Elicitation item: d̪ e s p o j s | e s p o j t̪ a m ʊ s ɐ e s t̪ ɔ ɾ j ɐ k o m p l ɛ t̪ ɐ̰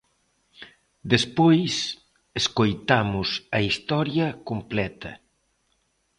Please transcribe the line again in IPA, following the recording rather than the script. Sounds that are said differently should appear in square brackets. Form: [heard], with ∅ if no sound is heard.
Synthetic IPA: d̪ e s p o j s | e s [k] o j t̪ a m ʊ s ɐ [i] s t̪ ɔ ɾ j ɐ k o m p l ɛ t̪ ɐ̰